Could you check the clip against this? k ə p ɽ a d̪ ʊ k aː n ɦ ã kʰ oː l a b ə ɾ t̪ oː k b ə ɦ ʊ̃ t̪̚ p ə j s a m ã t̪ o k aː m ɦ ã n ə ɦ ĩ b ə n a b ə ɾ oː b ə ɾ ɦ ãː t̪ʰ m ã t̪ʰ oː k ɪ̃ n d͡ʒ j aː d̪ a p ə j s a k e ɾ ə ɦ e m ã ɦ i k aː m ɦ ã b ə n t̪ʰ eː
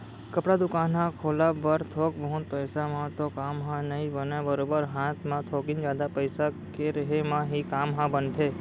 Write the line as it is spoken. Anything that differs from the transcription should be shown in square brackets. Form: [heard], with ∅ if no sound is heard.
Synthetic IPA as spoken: k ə p ɽ a d̪ ʊ k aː n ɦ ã kʰ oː l a b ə ɾ [t̪ʰ] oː k b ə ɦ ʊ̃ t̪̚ p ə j s a m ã t̪ o k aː m ɦ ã n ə ɦ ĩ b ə n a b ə ɾ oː b ə ɾ ɦ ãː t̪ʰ m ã t̪ʰ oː k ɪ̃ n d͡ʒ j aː d̪ a p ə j s a k e ɾ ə ɦ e m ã ɦ i k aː m ɦ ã b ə n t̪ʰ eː

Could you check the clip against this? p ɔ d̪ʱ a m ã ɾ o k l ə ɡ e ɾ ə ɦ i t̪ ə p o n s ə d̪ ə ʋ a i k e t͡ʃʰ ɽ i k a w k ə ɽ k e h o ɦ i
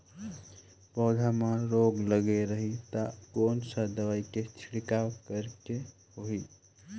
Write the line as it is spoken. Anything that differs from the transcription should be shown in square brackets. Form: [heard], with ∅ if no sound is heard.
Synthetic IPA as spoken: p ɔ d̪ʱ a m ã ɾ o [ɡ] l ə ɡ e ɾ ə ɦ i t̪ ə [k] o n s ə d̪ ə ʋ a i k e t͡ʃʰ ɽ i k a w k ə [ɾ] k e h o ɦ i

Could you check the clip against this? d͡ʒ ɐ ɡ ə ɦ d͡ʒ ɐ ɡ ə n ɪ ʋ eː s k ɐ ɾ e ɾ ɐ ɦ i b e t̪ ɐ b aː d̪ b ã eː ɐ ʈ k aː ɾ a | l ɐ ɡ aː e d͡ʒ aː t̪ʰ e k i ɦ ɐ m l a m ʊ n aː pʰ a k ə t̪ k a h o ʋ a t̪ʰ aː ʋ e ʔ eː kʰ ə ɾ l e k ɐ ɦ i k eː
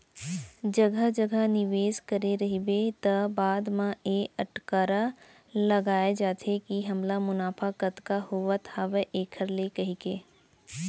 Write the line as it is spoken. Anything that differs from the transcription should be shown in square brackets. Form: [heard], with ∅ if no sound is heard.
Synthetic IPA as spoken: d͡ʒ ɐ ɡ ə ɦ d͡ʒ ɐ ɡ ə n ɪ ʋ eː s k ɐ ɾ e ɾ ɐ ɦ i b e t̪ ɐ b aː d̪ [m] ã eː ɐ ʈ k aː ɾ a | l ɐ ɡ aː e d͡ʒ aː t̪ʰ e k i ɦ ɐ m l a m ʊ n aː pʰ a k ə t̪ k a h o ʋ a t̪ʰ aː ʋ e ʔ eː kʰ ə ɾ l e k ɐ ɦ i k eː

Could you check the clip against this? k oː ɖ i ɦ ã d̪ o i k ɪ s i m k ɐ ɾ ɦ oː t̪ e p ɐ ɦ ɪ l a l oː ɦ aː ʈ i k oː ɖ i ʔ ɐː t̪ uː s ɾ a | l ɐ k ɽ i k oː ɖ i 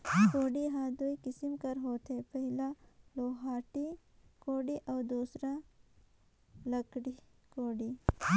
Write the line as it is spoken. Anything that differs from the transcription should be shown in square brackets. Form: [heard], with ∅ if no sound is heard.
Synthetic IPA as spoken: k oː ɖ i ɦ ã d̪ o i k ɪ s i m k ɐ ɾ ɦ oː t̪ e p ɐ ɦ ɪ l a l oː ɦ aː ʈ i k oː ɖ i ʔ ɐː [d̪] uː s ɾ a | l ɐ k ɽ i k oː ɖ i

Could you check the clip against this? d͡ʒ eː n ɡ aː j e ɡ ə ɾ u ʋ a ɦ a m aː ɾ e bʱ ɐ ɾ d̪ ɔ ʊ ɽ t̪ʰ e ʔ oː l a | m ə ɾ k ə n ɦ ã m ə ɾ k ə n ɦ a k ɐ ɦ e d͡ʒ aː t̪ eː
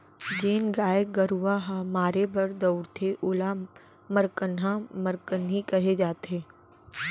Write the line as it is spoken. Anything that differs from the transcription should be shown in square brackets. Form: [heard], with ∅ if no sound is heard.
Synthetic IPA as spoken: d͡ʒ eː n ɡ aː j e ɡ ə ɾ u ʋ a ɦ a m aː ɾ e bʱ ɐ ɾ d̪ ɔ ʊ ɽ t̪ʰ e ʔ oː l a | m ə ɾ k ə n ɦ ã m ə ɾ k ə n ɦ [i] k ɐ ɦ e d͡ʒ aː t̪ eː

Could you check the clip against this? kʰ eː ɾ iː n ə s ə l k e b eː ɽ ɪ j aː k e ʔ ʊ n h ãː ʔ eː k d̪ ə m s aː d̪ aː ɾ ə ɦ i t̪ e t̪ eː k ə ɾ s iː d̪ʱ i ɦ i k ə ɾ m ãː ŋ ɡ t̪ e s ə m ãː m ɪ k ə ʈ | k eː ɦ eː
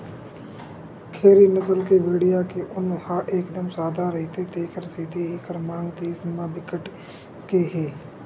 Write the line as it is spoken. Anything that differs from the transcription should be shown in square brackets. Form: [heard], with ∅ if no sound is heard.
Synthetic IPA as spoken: kʰ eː ɾ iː n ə s ə l k e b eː ɽ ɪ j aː k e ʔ ʊ n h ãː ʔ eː k d̪ ə m s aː d̪ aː ɾ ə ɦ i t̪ e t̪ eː k ə ɾ s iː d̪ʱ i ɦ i k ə ɾ m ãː ŋ ɡ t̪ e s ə m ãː [b] ɪ k ə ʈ | k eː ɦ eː

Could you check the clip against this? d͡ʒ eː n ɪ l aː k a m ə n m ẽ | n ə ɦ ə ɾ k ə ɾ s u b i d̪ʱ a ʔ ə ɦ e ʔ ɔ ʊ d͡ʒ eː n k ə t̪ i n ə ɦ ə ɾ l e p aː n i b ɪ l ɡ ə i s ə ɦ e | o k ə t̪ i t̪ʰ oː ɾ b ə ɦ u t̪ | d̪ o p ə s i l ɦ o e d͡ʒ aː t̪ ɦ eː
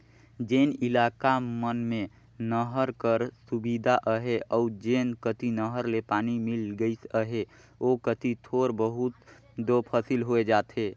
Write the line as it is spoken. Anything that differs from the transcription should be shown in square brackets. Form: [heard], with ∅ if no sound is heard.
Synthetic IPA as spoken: d͡ʒ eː n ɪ l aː k a m ə n m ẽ | n ə ɦ ə ɾ k ə ɾ s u b i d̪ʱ a ʔ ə ɦ e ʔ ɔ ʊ d͡ʒ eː n k ə t̪ i n ə ɦ ə ɾ l e p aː n i [m] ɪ l ɡ ə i s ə ɦ e | o k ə t̪ i t̪ʰ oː ɾ b ə ɦ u t̪ | d̪ o [pʰ] ə s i l ɦ o e d͡ʒ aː t̪ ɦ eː

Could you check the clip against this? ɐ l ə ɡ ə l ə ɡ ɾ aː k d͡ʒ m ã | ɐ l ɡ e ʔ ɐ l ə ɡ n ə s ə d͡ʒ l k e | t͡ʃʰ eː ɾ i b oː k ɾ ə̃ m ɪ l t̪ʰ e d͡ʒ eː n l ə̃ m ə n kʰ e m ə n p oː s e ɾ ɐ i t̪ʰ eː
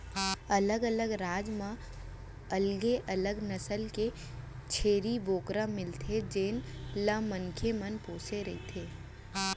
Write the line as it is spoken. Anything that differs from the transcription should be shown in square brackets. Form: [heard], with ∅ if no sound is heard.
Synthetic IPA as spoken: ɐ l ə ɡ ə l ə ɡ ɾ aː [∅] d͡ʒ m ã | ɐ l ɡ e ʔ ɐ l ə ɡ n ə s ə [∅] l k e | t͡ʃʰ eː ɾ i b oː k ɾ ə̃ m ɪ l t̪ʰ e d͡ʒ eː n l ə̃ m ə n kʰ e m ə n p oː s e ɾ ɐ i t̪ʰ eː

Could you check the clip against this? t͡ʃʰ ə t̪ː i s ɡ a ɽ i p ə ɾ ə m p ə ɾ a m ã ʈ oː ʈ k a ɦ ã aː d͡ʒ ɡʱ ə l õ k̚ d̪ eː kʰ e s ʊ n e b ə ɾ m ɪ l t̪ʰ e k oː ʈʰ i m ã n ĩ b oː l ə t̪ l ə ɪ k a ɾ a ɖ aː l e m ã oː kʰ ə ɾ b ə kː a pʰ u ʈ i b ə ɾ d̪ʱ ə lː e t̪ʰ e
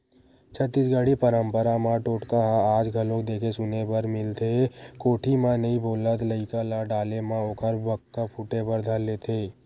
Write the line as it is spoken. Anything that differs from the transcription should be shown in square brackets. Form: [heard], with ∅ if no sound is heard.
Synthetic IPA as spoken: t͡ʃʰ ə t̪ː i s ɡ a ɽ i p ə ɾ ə m p ə ɾ a m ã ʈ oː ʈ k a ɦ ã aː d͡ʒ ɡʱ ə l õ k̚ d̪ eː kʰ e s ʊ n e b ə ɾ m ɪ l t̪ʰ e k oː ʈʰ i m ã n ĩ b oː l ə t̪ l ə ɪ k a [l] a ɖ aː l e m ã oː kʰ ə ɾ b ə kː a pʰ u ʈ [e] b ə ɾ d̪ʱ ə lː e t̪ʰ e

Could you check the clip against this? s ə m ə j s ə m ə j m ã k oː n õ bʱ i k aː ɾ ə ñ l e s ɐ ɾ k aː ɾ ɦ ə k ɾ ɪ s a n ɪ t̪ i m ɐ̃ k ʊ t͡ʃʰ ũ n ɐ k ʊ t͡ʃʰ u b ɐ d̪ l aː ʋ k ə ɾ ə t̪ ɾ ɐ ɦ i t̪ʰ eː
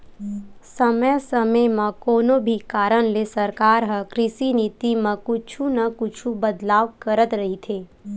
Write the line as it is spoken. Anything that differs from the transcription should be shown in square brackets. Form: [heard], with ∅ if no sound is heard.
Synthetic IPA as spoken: s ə m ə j s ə m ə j m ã k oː n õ bʱ i k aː ɾ ə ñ l e s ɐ ɾ k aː ɾ ɦ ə k ɾ ɪ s [i] n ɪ t̪ i m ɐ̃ k ʊ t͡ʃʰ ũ n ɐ k ʊ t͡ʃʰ u b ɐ d̪ l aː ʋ k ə ɾ ə t̪ ɾ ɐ ɦ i t̪ʰ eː

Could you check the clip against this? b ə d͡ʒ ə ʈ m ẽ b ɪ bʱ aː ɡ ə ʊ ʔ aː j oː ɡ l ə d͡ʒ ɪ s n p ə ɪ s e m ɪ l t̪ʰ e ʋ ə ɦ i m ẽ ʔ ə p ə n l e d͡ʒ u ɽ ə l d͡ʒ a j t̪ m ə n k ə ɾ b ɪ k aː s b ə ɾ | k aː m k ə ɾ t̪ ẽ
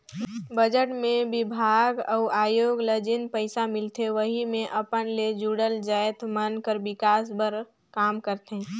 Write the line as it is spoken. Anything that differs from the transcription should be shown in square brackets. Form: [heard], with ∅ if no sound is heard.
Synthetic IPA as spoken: b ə d͡ʒ ə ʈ m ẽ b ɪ bʱ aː ɡ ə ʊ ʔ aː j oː ɡ l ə d͡ʒ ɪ [∅] n p ə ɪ s [a] m ɪ l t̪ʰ e ʋ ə ɦ i m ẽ ʔ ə p ə n l e d͡ʒ u ɽ ə l d͡ʒ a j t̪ m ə n k ə ɾ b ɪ k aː s b ə ɾ | k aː m k ə ɾ t̪ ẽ

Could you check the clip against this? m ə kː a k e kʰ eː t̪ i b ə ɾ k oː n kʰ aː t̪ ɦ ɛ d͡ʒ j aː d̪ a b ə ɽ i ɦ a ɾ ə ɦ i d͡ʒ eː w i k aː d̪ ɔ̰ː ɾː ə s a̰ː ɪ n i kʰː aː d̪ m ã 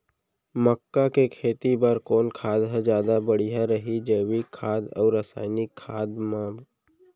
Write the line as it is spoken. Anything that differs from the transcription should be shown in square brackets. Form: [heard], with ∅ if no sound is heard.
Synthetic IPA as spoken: m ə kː a k e kʰ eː t̪ i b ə ɾ k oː n kʰ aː [d̪] ɦ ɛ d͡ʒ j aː d̪ a b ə ɽ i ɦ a ɾ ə ɦ i d͡ʒ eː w i [kʰ] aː d̪ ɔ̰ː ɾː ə s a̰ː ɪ n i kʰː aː d̪ m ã

